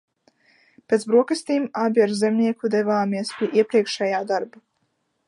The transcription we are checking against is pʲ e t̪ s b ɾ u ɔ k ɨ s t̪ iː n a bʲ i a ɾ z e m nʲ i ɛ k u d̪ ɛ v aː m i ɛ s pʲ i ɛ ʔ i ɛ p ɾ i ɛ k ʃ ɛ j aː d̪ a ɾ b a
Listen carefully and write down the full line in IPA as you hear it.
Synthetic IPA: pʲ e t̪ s b ɾ u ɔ k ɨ s t̪ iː m a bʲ i a ɾ z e m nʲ i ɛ k u d̪ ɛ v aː m i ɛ s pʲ i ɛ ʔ i ɛ p ɾ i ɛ k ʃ ɛ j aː d̪ a ɾ b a